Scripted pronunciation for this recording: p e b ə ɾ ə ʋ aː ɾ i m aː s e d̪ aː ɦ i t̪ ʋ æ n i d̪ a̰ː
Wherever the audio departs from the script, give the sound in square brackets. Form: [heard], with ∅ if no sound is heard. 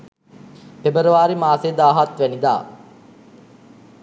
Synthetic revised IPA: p e b ə ɾ ə ʋ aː ɾ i m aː s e d̪ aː ɦ [a] t̪ ʋ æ n i d̪ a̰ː